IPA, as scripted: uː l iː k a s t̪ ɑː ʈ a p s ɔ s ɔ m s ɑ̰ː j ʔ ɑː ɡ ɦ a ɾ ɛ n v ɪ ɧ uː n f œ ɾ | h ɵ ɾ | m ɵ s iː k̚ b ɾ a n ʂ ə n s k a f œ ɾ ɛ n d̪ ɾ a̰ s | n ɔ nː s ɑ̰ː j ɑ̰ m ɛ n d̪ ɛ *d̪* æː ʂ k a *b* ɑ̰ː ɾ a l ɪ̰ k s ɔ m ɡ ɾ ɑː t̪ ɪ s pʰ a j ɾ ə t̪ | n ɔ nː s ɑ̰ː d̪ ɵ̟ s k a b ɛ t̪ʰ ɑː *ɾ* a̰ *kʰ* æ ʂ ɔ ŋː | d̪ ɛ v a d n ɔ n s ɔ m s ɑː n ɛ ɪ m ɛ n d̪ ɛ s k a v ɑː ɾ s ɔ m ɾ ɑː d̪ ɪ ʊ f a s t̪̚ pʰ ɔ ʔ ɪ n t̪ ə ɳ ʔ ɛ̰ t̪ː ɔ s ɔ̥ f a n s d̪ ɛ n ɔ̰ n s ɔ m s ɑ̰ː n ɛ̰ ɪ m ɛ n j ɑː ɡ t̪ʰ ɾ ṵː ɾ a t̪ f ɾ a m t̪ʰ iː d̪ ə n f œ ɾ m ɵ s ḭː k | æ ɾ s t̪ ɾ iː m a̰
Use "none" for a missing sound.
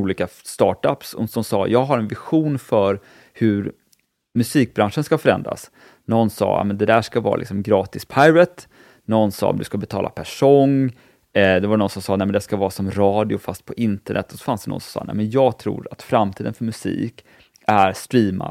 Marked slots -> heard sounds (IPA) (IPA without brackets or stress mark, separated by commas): d̪, v, l, pʰ